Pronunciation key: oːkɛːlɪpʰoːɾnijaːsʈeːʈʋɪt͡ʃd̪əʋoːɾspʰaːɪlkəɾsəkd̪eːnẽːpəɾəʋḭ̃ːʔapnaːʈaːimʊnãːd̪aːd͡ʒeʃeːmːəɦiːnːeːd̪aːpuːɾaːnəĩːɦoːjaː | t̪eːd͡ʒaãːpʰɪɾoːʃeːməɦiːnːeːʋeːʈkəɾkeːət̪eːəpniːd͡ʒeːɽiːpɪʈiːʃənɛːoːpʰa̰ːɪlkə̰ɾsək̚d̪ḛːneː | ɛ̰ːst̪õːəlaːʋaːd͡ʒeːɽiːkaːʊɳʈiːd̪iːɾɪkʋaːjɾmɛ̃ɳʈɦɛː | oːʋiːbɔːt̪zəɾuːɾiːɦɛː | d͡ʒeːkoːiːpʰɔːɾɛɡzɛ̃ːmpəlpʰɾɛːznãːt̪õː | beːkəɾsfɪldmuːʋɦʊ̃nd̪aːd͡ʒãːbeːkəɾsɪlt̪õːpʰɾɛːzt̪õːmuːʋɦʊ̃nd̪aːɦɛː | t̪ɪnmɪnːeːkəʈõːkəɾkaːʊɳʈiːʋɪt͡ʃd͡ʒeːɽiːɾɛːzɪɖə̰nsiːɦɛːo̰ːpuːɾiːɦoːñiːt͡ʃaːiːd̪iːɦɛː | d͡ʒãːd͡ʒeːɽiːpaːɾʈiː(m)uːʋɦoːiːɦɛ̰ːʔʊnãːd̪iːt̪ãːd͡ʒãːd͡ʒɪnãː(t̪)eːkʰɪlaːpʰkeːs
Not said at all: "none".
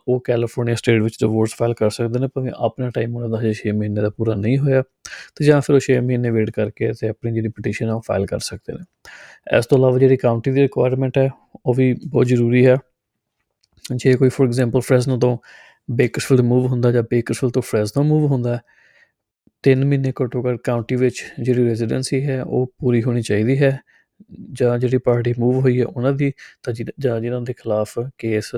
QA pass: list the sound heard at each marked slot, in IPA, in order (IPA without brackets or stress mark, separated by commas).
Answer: m, d̪